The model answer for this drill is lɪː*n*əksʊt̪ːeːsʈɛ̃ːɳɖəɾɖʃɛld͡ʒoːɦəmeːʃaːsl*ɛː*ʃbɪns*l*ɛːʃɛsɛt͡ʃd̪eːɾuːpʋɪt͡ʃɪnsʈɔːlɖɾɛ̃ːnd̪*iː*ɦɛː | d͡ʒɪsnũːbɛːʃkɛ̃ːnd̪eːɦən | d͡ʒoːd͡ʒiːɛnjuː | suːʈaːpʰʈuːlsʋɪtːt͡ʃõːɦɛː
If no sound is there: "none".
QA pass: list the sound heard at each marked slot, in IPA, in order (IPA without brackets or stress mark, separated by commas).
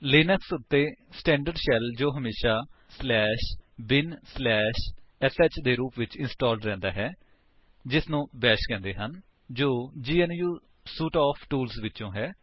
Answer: n, ɛː, l, aː